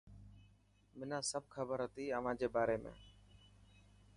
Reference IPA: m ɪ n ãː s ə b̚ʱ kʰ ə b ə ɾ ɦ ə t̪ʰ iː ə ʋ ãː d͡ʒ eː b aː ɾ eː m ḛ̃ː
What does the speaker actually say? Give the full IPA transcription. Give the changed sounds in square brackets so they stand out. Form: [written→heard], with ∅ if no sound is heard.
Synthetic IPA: m ɪ n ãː s ə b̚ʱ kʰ ə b ə ɾ ɦ ə [t̪ʰ→t̪] iː ə ʋ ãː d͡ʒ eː b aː ɾ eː m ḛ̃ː